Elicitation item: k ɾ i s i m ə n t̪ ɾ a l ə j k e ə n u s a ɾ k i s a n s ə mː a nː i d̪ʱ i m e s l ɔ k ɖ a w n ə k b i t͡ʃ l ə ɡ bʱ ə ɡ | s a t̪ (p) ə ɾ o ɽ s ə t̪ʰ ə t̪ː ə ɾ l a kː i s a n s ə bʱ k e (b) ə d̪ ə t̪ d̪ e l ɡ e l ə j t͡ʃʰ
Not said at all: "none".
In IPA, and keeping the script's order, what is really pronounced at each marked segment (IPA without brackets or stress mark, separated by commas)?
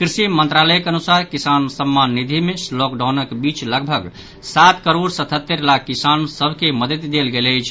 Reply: k, m